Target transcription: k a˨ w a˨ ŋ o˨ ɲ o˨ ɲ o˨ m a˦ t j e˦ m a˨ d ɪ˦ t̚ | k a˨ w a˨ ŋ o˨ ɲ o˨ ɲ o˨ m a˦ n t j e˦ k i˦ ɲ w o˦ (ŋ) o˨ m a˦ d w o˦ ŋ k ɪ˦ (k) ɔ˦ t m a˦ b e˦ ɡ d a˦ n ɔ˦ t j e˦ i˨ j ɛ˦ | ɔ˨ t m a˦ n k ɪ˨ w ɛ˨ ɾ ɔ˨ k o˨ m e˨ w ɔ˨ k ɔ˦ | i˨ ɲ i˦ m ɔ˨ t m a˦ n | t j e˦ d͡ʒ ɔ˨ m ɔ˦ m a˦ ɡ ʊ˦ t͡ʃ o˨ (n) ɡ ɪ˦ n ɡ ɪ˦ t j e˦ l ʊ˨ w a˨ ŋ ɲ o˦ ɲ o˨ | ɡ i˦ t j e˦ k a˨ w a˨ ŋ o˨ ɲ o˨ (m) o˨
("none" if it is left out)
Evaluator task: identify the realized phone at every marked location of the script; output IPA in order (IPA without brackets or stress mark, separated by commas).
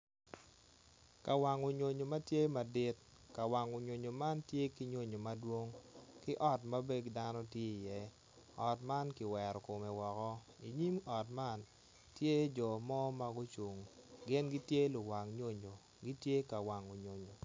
ɲ, ʔ, ŋ, ɲ